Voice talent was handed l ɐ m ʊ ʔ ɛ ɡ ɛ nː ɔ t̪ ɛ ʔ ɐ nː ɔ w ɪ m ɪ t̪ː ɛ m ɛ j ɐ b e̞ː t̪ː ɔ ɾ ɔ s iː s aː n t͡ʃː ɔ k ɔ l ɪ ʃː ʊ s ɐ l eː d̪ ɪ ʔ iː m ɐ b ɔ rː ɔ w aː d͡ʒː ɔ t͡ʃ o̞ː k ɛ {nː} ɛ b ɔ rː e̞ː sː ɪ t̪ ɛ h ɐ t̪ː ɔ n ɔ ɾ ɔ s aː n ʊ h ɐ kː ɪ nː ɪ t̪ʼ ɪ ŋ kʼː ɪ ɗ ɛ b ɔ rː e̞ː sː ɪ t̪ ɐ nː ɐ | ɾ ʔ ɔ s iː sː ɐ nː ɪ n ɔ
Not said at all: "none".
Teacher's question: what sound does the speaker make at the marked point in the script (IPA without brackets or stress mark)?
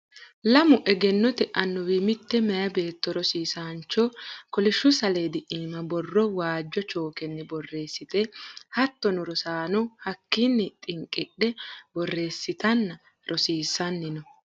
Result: nː